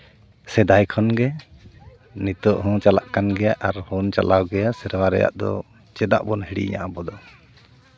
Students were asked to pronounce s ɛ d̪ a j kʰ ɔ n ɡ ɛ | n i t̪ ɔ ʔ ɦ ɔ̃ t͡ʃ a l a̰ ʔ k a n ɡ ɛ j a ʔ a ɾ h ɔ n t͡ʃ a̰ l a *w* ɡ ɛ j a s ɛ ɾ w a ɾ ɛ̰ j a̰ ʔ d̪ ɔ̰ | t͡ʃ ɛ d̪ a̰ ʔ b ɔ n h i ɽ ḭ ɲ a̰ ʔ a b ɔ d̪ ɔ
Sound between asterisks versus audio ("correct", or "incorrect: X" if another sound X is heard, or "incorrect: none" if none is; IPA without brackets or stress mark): correct